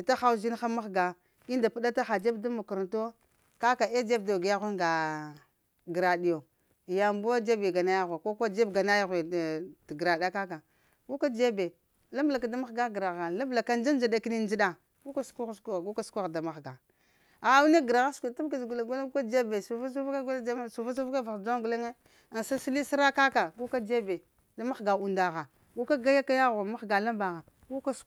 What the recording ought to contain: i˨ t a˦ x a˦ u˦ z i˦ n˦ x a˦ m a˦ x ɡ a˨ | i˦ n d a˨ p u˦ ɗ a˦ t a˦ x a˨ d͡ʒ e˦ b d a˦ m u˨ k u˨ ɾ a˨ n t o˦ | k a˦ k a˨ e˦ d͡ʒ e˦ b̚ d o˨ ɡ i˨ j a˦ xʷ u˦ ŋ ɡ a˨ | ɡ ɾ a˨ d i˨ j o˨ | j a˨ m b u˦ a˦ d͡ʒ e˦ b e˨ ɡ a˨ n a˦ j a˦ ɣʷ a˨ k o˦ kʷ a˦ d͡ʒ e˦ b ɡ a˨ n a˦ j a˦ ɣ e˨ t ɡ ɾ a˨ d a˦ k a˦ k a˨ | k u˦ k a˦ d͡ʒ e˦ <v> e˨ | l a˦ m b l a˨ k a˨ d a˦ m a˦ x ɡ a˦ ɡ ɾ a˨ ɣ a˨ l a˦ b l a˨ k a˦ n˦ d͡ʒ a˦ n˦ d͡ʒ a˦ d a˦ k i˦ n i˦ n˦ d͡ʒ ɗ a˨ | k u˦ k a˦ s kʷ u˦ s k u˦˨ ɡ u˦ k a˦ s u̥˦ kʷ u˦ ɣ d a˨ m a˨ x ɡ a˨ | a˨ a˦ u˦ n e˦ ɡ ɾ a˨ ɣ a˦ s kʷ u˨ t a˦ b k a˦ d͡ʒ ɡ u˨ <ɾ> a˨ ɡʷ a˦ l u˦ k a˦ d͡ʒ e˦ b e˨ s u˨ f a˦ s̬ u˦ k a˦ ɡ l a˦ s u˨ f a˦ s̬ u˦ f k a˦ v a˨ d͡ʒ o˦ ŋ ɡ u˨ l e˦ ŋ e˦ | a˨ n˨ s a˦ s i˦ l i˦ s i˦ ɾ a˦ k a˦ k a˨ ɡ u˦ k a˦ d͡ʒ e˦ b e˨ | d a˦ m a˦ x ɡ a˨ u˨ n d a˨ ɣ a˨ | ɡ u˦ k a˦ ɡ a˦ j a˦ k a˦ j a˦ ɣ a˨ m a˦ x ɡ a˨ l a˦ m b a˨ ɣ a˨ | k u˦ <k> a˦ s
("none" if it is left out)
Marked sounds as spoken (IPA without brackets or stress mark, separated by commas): b, l, k